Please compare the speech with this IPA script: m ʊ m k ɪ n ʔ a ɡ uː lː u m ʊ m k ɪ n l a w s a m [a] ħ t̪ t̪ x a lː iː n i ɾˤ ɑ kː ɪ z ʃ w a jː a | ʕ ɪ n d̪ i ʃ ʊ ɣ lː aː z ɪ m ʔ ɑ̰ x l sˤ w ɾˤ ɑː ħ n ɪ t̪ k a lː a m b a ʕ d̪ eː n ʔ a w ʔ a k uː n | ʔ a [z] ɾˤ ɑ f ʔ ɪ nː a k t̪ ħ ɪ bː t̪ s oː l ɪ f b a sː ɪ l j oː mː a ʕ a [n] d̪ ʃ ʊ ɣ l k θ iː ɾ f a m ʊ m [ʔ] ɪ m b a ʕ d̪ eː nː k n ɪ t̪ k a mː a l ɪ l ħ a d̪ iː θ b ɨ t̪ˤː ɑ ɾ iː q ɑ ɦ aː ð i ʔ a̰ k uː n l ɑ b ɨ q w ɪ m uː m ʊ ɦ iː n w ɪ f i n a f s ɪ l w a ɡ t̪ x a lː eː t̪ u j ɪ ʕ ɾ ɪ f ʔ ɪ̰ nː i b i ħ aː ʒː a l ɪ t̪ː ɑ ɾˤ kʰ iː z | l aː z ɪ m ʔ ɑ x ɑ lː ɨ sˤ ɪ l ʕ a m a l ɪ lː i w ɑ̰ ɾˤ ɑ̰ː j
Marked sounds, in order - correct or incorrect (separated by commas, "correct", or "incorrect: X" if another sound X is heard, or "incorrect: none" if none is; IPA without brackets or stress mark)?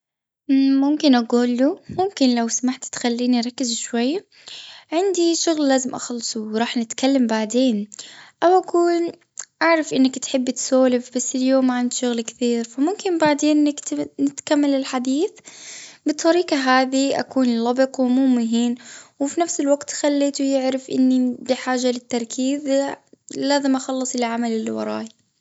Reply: correct, incorrect: ʕ, correct, incorrect: k